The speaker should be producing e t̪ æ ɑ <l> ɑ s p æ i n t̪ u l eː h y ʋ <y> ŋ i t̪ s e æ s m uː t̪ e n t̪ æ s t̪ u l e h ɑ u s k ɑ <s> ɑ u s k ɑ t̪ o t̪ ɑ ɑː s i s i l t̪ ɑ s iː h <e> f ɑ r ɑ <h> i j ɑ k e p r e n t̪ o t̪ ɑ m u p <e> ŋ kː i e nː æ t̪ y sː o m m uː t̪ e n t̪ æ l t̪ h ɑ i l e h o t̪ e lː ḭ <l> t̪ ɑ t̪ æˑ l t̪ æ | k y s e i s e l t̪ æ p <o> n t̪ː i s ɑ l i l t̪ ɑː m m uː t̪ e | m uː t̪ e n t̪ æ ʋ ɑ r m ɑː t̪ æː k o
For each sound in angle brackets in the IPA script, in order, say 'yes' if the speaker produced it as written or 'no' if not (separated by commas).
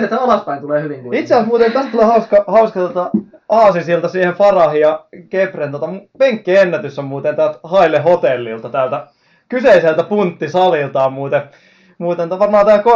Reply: yes, no, no, yes, yes, yes, yes, no